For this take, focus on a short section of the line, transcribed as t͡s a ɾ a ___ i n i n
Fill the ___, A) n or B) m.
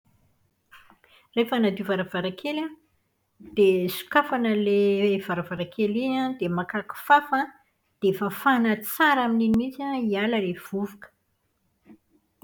B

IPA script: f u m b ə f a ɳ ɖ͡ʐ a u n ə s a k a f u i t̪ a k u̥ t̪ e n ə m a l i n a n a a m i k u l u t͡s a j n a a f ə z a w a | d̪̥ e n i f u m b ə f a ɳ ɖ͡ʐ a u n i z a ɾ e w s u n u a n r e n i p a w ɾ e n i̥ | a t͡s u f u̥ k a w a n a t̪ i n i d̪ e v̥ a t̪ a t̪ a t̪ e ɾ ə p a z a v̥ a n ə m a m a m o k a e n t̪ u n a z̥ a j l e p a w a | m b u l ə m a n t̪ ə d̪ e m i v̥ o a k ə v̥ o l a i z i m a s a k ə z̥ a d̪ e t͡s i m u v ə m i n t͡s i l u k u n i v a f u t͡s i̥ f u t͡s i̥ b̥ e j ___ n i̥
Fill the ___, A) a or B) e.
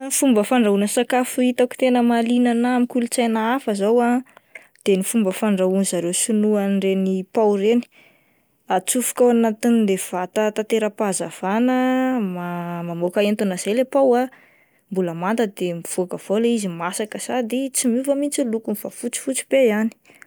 A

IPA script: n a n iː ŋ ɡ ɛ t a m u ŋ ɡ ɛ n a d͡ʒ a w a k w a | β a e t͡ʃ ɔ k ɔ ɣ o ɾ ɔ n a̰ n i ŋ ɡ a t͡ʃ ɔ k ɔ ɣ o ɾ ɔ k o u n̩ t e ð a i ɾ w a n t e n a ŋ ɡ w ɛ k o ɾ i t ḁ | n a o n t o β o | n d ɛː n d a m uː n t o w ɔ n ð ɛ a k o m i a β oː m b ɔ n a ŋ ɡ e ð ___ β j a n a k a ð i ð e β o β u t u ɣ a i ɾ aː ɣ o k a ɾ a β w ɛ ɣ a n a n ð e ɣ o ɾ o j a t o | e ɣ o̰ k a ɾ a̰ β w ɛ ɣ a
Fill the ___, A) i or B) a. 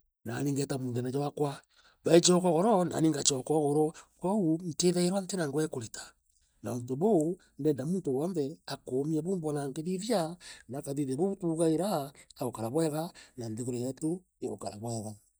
A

